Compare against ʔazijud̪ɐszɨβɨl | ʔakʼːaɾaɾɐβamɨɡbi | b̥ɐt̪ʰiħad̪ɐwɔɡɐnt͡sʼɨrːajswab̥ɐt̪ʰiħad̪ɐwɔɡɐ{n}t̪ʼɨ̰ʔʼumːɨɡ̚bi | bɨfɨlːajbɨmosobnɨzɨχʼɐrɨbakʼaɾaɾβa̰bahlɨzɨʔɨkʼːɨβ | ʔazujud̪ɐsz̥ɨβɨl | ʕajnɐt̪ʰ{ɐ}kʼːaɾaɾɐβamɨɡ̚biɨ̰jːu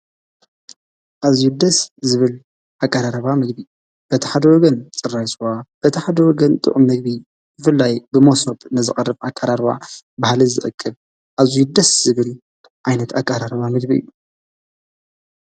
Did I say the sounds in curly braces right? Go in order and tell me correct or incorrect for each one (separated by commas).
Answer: correct, incorrect